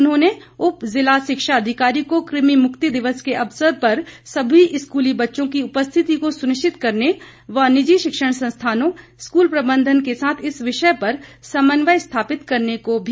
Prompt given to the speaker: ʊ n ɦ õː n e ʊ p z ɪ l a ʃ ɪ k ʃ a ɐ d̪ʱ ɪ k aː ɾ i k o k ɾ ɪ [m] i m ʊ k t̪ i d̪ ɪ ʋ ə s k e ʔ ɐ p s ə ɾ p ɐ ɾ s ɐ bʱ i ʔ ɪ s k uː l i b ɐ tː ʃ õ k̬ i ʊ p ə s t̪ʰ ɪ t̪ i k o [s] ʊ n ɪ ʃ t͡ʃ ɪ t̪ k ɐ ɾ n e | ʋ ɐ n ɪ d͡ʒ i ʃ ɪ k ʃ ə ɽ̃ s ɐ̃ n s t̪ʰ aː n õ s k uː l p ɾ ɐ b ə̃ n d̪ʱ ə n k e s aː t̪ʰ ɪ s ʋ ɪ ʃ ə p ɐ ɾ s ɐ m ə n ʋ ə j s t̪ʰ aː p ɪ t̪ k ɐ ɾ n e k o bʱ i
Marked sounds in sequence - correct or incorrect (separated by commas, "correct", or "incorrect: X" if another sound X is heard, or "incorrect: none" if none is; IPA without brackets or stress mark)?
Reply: correct, correct